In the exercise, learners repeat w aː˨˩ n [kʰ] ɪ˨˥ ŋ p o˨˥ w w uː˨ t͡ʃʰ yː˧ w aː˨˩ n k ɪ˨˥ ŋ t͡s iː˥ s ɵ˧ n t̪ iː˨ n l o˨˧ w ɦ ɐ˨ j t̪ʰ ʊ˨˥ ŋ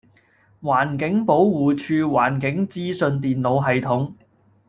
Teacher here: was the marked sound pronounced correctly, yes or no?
no